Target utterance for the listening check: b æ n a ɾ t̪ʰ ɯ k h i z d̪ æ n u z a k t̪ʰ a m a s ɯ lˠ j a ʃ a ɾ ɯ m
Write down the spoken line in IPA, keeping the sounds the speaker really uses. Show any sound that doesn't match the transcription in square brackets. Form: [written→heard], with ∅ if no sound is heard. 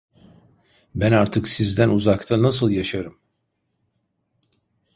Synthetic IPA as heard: b æ n a ɾ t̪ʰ ɯ k [h→s] i z d̪ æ n u z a k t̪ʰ a [m→n] a s ɯ lˠ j a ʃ a ɾ ɯ m